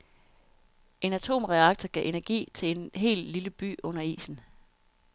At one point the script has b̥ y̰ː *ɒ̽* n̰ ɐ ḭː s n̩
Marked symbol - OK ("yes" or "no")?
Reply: no